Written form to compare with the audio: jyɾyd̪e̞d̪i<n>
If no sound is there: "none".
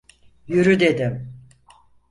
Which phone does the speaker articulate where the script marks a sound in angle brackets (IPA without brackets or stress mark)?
m